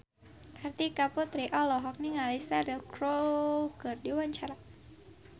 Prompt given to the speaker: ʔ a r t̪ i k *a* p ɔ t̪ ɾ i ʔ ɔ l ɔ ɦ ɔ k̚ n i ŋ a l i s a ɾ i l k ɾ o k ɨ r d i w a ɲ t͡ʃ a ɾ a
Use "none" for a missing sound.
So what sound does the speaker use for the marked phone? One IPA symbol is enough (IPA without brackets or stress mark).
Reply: a